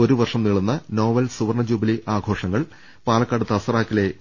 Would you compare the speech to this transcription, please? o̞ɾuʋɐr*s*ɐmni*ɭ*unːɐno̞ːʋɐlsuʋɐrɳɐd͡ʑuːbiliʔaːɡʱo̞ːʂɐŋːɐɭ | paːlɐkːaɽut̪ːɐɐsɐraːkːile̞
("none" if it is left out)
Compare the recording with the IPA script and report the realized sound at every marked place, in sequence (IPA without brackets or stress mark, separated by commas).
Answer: ʂ, ɭ